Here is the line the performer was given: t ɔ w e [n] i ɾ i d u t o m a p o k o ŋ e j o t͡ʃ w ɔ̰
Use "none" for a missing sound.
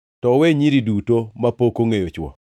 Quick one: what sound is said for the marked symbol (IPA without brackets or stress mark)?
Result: ɲ